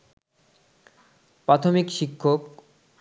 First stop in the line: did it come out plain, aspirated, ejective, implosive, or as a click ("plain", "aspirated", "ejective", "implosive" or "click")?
plain